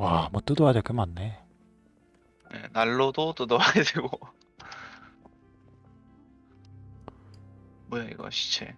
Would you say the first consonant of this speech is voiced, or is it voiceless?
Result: voiced